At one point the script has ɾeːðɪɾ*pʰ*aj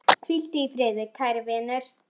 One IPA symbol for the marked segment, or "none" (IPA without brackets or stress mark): kʰ